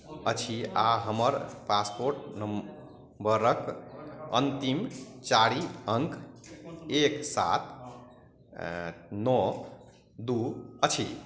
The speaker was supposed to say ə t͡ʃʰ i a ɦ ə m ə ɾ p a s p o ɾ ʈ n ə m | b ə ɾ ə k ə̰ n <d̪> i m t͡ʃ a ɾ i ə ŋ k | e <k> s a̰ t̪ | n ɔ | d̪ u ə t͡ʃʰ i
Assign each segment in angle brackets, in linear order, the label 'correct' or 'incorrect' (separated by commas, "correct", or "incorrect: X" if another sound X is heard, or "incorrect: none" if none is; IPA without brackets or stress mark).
incorrect: t̪, correct